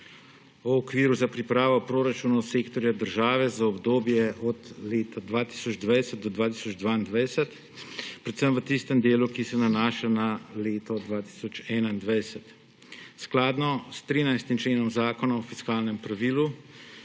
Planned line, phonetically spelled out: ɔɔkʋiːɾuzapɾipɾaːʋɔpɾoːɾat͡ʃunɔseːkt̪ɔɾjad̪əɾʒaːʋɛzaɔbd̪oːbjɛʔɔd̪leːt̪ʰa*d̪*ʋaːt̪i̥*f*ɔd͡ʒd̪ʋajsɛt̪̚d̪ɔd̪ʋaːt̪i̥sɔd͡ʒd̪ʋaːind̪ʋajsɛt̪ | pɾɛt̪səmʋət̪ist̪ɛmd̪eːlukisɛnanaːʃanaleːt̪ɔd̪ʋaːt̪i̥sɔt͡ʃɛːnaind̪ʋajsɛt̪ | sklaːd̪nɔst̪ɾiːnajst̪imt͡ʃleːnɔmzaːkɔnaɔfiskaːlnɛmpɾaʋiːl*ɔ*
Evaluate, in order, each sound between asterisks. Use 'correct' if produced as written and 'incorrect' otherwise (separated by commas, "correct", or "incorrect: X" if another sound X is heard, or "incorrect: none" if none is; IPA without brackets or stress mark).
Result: correct, incorrect: s, incorrect: u